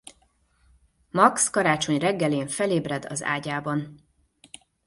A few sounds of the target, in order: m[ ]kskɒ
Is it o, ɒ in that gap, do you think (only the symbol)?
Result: ɒ